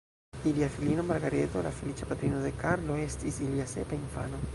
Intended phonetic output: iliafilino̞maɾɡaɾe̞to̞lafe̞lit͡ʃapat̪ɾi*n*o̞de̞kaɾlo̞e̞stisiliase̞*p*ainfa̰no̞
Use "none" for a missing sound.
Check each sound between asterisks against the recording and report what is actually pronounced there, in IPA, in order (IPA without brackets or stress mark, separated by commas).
n, p